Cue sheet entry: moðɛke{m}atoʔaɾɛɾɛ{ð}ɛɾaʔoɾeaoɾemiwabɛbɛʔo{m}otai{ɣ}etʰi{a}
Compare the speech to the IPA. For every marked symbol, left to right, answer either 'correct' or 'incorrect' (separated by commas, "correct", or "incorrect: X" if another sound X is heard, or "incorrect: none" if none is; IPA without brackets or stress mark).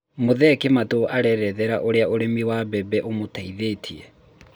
correct, correct, correct, incorrect: ð, incorrect: ɛ